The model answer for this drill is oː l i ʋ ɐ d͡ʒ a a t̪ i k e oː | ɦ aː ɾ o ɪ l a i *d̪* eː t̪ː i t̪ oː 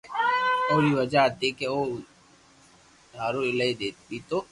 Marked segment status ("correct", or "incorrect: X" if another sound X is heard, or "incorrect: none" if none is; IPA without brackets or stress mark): correct